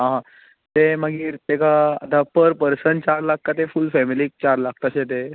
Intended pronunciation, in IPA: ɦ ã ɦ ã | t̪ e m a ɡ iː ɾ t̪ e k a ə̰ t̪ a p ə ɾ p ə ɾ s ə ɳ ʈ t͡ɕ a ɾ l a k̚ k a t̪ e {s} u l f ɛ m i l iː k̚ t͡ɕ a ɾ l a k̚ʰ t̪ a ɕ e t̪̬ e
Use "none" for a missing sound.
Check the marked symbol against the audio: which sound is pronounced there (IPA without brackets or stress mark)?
f